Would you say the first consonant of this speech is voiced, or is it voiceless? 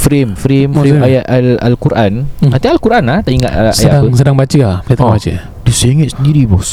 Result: voiceless